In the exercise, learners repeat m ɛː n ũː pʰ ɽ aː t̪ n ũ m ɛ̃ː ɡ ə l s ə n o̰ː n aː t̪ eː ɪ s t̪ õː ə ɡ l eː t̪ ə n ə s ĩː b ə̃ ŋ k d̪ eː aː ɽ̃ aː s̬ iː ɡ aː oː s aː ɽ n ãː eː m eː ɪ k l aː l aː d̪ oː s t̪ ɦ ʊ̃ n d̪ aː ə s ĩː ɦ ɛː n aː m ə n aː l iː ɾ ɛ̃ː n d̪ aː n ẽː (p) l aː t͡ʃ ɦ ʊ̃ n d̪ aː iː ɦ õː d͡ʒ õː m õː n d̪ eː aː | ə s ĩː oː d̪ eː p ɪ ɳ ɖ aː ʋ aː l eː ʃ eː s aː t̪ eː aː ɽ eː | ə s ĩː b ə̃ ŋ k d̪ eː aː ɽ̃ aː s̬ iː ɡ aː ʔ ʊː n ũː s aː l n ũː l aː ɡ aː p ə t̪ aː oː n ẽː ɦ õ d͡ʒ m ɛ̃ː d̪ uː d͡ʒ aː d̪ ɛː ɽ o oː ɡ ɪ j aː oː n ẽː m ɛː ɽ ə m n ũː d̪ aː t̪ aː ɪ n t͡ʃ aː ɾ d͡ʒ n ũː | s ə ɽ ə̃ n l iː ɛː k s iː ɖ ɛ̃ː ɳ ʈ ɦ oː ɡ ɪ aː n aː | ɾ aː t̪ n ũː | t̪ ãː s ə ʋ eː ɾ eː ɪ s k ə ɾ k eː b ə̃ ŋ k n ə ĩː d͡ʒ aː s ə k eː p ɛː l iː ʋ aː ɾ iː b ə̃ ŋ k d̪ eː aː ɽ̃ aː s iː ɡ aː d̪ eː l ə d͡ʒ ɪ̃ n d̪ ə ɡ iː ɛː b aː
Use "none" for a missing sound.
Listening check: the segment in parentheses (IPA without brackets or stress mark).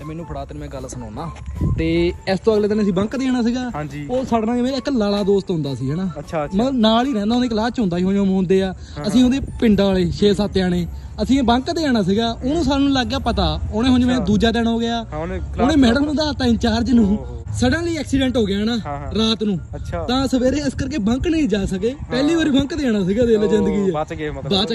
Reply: k